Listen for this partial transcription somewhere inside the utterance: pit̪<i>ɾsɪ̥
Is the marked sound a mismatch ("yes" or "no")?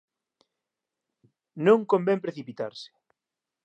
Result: yes